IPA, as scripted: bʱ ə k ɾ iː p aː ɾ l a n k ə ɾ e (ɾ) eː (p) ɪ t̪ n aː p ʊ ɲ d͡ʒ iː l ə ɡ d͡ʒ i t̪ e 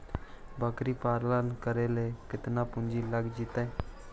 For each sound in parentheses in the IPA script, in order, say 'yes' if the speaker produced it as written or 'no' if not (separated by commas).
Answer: no, no